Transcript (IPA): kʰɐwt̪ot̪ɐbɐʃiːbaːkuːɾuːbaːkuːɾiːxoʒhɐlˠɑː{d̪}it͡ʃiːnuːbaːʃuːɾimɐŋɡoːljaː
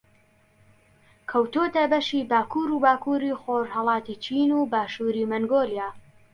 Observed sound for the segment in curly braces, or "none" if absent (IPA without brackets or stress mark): t̪